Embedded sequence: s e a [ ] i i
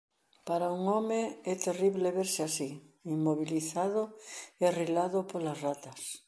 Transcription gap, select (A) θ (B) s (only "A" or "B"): B